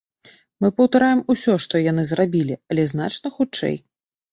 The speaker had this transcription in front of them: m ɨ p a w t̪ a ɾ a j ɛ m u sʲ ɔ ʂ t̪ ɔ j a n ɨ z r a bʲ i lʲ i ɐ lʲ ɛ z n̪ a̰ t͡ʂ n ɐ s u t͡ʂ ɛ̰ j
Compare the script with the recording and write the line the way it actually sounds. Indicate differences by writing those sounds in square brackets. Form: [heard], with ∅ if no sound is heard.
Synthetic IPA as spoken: m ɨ p [ɐ] w t̪ a ɾ a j ɛ m u sʲ ɔ ʂ t̪ ɔ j a n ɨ z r a bʲ i lʲ i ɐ lʲ ɛ z n̪ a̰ t͡ʂ n ɐ [x] u t͡ʂ ɛ̰ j